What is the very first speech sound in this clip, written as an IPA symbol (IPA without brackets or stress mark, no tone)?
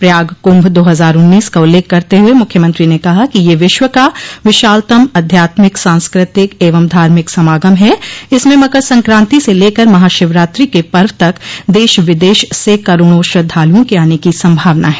p